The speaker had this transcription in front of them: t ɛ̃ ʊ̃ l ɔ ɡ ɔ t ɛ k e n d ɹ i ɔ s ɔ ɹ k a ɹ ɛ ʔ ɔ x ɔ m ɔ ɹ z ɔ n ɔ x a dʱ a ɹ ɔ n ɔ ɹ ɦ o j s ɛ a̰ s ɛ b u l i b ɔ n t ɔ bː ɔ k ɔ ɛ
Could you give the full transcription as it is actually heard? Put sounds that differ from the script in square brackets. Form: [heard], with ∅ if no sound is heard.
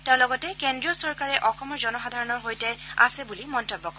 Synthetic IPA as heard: t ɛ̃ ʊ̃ l ɔ ɡ ɔ t ɛ k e n d ɹ i ɔ s ɔ ɹ k a ɹ ɛ ʔ ɔ x ɔ m ɔ ɹ z ɔ n ɔ x a dʱ a ɹ ɔ n ɔ ɹ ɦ o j [t] ɛ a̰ s ɛ b u l i [m] ɔ n t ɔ bː ɔ k ɔ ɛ